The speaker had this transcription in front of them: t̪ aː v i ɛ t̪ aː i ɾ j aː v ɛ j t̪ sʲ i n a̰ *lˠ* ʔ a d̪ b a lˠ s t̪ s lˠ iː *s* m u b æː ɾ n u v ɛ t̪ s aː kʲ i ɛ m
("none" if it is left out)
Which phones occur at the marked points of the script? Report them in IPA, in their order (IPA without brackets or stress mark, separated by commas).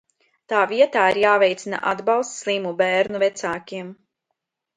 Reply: none, none